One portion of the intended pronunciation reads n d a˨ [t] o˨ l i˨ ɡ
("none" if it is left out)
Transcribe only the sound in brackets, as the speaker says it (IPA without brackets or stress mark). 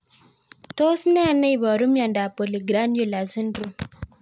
p